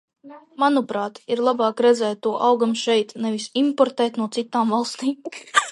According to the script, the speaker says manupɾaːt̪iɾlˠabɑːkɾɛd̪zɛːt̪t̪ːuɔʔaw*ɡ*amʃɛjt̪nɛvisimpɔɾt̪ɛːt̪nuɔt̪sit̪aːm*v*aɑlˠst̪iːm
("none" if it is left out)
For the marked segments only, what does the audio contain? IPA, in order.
ɡ, v

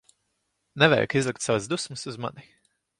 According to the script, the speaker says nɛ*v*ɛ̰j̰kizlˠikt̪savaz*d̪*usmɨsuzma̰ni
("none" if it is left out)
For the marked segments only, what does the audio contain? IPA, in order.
v, d̪

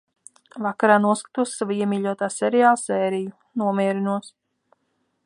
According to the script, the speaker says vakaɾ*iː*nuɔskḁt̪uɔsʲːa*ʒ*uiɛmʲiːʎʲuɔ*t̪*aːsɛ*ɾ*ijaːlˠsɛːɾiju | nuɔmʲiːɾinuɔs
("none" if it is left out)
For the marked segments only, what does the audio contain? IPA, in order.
aː, v, t̪, ɾ

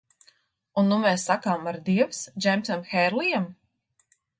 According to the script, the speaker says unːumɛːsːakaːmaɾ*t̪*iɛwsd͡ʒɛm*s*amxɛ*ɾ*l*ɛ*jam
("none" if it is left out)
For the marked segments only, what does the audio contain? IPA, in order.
d̪, s, ɾ, i

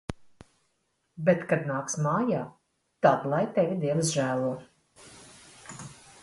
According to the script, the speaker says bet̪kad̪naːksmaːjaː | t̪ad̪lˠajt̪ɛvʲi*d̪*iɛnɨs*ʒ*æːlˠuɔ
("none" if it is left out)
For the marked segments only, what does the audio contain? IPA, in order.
d̪, ʒ

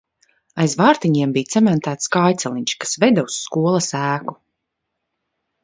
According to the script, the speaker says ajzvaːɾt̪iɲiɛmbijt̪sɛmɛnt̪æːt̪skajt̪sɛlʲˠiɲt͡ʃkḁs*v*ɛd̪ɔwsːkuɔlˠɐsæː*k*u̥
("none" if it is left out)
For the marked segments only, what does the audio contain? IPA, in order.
v, k

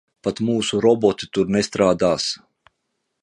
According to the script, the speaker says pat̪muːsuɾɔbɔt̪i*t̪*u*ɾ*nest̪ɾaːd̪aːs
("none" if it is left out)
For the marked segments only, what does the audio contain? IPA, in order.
t̪, ɾ

